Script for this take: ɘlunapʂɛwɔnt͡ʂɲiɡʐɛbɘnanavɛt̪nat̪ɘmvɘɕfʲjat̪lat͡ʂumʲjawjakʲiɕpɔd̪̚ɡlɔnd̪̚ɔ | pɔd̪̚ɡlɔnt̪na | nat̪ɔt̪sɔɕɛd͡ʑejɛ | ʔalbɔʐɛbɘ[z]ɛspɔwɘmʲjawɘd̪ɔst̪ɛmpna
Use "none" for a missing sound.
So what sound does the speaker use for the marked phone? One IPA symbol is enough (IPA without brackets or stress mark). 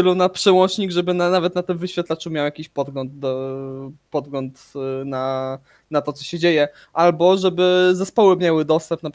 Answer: z